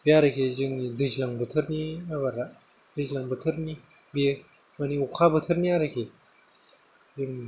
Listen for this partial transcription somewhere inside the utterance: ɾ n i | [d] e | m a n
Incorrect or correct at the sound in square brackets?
incorrect: b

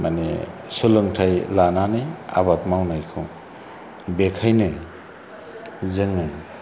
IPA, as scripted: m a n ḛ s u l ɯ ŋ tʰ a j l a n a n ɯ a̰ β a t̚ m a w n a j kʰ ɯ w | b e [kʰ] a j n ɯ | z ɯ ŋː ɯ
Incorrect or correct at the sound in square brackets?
correct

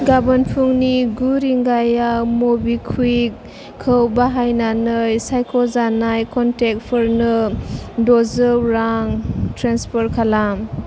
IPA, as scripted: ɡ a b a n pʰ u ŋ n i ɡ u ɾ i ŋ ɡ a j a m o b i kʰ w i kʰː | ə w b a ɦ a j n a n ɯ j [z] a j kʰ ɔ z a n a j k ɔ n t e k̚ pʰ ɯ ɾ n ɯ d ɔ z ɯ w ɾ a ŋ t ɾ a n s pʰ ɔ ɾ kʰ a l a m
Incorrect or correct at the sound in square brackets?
incorrect: s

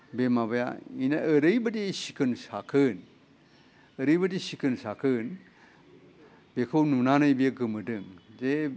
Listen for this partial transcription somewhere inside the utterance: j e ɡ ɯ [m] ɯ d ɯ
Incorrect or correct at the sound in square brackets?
correct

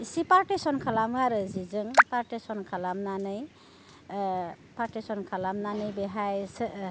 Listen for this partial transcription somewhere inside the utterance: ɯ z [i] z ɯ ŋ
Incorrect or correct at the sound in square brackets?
correct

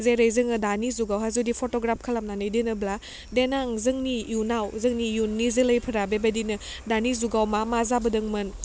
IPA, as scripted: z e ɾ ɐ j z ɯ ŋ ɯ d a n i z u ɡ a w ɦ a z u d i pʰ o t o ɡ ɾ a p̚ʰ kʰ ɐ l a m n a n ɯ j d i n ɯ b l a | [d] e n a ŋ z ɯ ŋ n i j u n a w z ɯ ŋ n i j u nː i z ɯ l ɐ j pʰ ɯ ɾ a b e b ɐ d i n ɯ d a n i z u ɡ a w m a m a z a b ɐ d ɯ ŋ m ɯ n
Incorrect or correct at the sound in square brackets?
correct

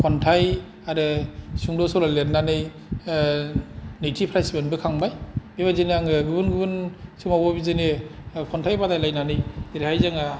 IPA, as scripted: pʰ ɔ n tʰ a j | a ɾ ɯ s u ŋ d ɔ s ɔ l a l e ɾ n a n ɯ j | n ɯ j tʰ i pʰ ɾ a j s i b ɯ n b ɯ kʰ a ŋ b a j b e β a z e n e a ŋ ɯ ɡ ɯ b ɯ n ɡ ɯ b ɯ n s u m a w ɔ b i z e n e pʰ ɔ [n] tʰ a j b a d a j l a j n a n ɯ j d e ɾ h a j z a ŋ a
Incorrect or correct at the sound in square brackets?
correct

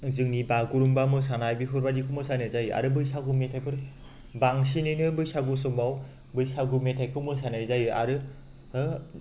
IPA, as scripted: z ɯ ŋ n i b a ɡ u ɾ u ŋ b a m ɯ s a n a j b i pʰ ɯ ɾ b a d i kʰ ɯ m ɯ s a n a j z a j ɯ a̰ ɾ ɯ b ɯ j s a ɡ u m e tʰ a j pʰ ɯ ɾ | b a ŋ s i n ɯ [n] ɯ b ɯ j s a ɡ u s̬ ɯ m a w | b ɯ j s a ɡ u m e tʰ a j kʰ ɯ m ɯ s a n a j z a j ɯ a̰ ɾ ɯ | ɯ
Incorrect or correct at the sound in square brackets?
correct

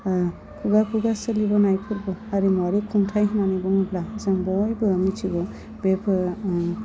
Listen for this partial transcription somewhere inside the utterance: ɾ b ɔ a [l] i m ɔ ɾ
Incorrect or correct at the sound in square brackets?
incorrect: ɾ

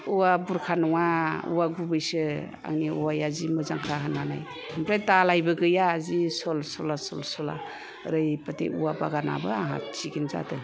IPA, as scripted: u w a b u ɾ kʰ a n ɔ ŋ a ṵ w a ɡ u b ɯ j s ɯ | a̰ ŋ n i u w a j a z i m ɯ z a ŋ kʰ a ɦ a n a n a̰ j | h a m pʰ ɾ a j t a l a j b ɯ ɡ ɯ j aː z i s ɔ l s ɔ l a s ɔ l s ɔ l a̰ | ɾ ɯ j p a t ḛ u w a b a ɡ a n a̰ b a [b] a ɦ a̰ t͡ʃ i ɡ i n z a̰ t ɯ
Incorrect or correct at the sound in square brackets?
incorrect: none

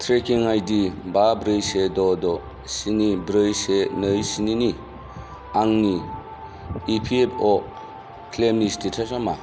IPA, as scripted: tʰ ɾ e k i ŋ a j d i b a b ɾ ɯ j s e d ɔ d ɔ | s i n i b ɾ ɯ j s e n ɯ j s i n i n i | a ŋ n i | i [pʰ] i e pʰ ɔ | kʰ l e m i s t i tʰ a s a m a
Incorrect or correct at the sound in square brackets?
correct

